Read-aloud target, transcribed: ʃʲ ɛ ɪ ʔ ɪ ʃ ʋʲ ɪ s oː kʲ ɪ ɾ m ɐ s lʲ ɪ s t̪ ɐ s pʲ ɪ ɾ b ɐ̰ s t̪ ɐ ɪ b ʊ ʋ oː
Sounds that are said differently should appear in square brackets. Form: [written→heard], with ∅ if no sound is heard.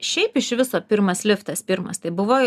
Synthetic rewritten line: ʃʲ ɛ ɪ [ʔ→p] ɪ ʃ ʋʲ ɪ s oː [kʲ→pʲ] ɪ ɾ m ɐ s lʲ ɪ [s→f] t̪ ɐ s pʲ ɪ ɾ [b→m] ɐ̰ s t̪ ɐ ɪ b ʊ ʋ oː